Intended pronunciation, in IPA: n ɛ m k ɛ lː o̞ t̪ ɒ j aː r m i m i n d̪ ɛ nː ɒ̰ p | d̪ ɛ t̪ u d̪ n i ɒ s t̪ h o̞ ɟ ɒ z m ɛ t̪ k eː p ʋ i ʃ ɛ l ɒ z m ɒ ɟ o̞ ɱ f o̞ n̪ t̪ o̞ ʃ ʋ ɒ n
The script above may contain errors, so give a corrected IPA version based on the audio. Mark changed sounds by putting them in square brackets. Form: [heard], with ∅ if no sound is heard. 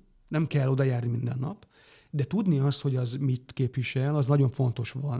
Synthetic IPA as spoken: n ɛ m k ɛ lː o̞ [d̪] ɒ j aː r [n] i m i n d̪ ɛ nː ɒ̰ p | d̪ ɛ t̪ u d̪ n i ɒ s t̪ h o̞ ɟ ɒ z m [i] t̪ k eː p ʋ i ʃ ɛ l ɒ z [n] ɒ ɟ o̞ ɱ f o̞ n̪ t̪ o̞ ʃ ʋ ɒ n